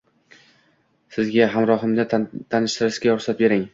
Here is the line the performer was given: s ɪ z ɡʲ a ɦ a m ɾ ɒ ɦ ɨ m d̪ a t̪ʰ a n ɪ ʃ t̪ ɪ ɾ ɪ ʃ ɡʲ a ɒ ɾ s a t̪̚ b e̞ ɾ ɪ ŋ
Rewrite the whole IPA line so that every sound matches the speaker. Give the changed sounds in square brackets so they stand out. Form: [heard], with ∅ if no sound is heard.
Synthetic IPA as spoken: s ɪ z ɡʲ a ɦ a m ɾ ɒ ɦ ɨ m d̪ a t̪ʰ a n ɪ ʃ t̪ ɪ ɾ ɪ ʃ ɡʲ a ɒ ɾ s a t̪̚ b e̞ ɾ ɪ ŋ